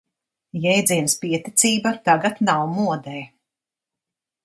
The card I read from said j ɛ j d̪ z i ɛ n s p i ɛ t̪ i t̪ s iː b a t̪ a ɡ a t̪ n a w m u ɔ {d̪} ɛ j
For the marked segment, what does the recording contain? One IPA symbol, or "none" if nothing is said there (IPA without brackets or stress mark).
d̪